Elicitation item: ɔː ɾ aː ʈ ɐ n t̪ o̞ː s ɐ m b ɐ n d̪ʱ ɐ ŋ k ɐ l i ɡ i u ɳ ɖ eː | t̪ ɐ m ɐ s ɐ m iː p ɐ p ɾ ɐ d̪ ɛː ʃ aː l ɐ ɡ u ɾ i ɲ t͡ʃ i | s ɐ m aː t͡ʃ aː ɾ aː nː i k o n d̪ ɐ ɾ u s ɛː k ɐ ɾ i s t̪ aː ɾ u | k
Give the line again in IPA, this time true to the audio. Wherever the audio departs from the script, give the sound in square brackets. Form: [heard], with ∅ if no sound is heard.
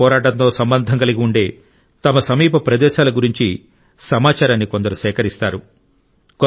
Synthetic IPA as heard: ɔː ɾ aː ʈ ɐ n t̪ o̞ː s ɐ m b ɐ n d̪ʱ ɐ ŋ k ɐ l i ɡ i u ɳ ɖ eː | t̪ ɐ m ɐ s ɐ m iː p ɐ p ɾ ɐ d̪ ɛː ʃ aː l ɐ ɡ u ɾ i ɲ t͡ʃ i | s ɐ m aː t͡ʃ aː ɾ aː nː i k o n d̪ ɐ ɾ u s ɛː k ɐ ɾ i s t̪ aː ɾ u | k